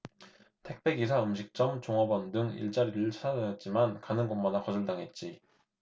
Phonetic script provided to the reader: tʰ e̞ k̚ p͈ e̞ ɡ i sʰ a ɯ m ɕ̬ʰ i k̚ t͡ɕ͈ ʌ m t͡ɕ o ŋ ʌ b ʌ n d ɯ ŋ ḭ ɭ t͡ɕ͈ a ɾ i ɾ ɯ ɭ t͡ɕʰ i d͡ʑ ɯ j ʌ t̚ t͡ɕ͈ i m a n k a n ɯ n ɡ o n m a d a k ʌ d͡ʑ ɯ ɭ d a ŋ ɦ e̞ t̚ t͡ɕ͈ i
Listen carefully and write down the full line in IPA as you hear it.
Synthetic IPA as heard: tʰ e̞ k̚ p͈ e̞ ɡ i sʰ a ɯ m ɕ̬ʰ i k̚ t͡ɕ͈ ʌ m t͡ɕ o ŋ ʌ b ʌ n d ɯ ŋ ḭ ɭ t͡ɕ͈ a ɾ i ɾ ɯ ɭ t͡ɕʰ a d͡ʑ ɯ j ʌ t̚ t͡ɕ͈ i m a n k a n ɯ n ɡ o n m a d a k ʌ d͡ʑ ɯ ɭ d a ŋ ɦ e̞ t̚ t͡ɕ͈ i